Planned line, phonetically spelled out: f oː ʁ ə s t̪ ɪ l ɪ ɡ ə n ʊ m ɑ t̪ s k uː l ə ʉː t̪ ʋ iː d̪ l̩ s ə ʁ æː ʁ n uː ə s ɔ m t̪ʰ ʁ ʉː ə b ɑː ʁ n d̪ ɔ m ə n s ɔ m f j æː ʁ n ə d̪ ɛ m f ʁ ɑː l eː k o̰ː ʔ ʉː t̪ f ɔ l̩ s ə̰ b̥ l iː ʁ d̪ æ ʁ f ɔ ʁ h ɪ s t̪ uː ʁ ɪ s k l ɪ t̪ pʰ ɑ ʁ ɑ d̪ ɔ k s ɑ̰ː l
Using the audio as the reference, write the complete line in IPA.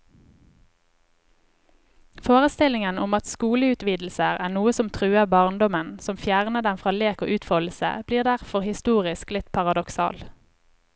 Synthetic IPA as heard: f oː ʁ ə s t̪ ɪ l ɪ ŋ ə n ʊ m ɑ t̪ s k uː l ə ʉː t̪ ʋ iː d̪ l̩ s ə ʁ æː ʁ n uː ə s ɔ m t̪ʰ ʁ ʉː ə b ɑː ʁ n d̪ ɔ m ə n s ɔ m f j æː ʁ n ə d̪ ɛ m f ʁ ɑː l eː k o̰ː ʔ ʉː t̪ f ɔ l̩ s ə̰ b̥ l iː ʁ d̪ æ ʁ f ɔ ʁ h ɪ s t̪ uː ʁ ɪ s k l ɪ t̪ pʰ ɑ ʁ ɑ d̪ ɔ k s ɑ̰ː l